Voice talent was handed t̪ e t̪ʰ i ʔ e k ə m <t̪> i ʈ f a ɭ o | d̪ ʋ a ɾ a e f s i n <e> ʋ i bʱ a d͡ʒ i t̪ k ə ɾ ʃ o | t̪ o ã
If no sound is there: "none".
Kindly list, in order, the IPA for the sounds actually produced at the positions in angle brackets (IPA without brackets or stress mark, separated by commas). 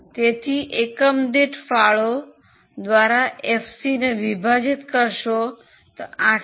d̪, e